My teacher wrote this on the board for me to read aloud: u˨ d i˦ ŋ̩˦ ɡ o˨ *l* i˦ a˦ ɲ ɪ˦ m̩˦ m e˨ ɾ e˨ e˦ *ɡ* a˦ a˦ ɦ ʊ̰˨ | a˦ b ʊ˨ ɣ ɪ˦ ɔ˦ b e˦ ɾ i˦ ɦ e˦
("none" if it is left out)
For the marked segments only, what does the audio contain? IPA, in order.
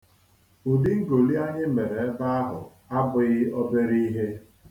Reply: l, b

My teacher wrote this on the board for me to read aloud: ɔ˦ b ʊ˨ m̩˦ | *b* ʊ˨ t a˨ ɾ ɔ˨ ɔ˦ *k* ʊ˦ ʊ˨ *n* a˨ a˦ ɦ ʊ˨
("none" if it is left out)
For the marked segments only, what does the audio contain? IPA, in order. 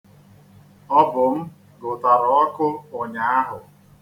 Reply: ɡ, k, ɲ

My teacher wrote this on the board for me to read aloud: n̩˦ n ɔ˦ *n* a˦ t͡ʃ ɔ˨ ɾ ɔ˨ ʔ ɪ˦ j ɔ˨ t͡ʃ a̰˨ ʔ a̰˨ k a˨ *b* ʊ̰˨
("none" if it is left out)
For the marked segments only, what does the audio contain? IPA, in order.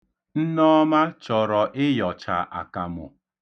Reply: m, m

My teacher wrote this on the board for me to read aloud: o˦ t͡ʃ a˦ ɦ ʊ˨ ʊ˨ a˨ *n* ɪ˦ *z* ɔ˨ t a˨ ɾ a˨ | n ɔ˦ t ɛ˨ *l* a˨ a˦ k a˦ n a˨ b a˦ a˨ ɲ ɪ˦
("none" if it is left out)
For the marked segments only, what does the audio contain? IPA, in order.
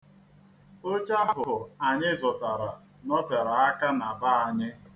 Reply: ɲ, z, ɾ

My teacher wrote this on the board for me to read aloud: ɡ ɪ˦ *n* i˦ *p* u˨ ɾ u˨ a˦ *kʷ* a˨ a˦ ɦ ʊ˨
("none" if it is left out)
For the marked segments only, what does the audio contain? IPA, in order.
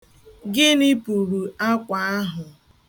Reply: n, p, kʷ

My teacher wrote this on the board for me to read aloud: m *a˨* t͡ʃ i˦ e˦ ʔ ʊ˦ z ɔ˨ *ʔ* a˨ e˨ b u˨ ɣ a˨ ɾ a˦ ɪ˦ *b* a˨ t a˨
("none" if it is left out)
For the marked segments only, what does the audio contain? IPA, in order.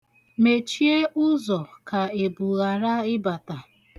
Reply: e˨, k, b

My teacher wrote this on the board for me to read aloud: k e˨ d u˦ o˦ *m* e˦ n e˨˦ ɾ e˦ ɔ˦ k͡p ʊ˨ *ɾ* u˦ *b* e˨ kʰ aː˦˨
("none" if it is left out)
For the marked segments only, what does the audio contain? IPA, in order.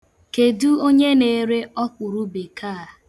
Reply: ɲ, ɾ, b

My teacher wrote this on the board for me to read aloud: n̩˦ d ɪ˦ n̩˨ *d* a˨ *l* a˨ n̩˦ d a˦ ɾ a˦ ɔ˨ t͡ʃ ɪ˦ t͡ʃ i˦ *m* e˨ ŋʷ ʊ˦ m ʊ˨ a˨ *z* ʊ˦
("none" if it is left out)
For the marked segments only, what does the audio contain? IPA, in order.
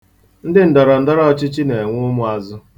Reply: d, ɾ, n, z

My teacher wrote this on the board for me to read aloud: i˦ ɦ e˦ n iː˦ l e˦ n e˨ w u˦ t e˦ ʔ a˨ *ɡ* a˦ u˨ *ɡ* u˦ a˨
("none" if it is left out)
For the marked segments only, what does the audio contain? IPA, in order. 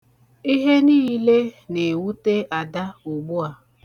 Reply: d, ɡ͡b

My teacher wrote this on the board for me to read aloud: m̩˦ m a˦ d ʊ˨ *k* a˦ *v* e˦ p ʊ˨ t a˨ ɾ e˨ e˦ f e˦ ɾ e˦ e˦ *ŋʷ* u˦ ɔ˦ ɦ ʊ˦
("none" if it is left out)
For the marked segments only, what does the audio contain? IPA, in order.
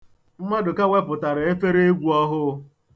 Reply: k, w, ɡʷ

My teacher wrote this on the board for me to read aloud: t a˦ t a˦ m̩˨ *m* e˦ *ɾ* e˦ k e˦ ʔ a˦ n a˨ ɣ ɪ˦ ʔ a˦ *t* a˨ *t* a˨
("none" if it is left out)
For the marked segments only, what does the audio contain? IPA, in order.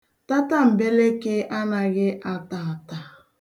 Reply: b, l, t, t

